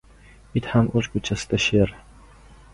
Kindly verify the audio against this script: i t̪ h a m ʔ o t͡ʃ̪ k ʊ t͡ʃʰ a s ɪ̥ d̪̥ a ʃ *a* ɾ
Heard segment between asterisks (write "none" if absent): e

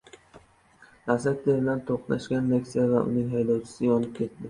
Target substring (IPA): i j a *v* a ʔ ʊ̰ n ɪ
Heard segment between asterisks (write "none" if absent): v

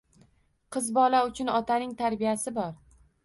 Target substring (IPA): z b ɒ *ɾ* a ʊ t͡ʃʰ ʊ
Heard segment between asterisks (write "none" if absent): l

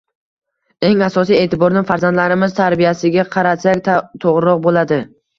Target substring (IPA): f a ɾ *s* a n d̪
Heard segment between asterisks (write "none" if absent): z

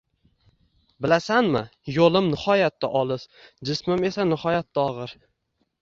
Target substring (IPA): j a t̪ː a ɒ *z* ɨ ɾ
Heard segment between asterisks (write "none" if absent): ʁ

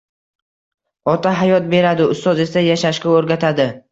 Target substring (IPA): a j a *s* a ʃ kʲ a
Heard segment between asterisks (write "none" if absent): ʃ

